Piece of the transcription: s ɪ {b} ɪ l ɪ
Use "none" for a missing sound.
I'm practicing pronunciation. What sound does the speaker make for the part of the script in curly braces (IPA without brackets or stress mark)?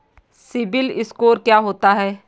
b